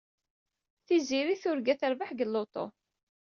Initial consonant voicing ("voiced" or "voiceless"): voiceless